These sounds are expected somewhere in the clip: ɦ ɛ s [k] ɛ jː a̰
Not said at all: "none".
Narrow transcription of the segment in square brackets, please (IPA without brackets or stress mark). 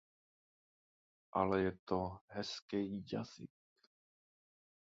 k